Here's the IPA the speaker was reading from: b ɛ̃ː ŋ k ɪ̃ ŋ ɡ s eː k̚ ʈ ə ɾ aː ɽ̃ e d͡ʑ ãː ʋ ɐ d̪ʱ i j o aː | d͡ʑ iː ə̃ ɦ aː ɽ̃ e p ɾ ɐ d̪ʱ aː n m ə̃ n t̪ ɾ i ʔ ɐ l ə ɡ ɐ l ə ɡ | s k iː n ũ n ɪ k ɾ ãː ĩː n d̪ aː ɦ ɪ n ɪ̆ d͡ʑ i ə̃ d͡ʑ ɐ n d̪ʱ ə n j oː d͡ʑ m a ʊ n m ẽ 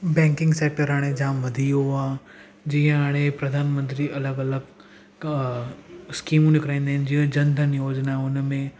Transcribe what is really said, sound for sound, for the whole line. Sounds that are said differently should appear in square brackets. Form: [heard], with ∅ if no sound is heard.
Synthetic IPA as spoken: b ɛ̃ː ŋ k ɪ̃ ŋ ɡ s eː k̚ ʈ ə ɾ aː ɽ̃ e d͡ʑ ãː ʋ ɐ d̪ʱ i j o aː | d͡ʑ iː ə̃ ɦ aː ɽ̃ e p ɾ ɐ d̪ʱ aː n m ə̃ n t̪ ɾ i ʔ ɐ l ə ɡ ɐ l ə ɡ | s k iː [m] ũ n ɪ k ɾ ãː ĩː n d̪ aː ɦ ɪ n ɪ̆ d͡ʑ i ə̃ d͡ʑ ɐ n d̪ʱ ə n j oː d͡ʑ [n] a ʊ n m ẽ